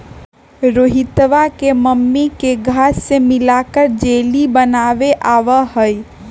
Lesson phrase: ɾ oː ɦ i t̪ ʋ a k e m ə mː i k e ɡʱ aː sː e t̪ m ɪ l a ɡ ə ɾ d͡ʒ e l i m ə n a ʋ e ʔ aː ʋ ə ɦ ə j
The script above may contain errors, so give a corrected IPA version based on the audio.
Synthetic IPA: ɾ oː ɦ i t̪ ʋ a k e m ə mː i k e ɡʱ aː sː e m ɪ l a k ə ɾ d͡ʒ e l i b ə n a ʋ e ʔ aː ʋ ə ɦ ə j